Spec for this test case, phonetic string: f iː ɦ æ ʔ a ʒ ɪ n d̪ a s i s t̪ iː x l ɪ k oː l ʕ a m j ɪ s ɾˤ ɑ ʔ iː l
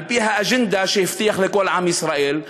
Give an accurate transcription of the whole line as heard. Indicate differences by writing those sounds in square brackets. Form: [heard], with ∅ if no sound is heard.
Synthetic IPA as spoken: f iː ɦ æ ʔ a ʒ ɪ n d̪ a [ʃ] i [f] t̪ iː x l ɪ k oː l ʕ a m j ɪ s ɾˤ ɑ ʔ iː l